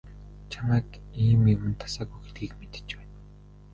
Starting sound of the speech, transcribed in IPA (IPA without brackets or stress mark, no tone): t͡ɕʰ